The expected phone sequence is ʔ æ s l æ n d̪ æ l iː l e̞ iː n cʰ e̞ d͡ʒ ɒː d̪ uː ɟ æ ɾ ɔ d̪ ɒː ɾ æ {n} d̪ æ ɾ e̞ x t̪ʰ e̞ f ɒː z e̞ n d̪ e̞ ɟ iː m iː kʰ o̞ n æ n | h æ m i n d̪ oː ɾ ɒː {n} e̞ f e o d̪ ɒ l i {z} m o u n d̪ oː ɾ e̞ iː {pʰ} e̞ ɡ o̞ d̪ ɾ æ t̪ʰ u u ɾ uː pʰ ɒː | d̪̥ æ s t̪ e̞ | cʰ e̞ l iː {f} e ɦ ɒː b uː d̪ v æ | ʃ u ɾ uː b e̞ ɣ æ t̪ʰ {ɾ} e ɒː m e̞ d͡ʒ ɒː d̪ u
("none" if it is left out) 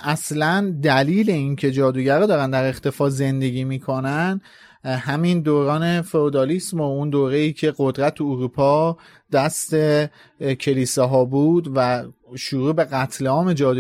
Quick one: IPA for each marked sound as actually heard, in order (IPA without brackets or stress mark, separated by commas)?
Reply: n, n, s, cʰ, s, l